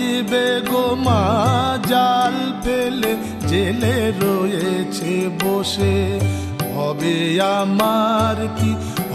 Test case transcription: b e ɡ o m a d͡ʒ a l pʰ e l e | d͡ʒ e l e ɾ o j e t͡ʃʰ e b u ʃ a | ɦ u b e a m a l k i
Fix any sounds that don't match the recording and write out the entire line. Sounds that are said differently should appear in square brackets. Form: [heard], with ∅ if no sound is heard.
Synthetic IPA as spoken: b e ɡ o m a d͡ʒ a l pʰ e l e | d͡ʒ e l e ɾ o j e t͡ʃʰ e b [o] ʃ [e] | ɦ [ɔ] b e a m a [ɾ] k i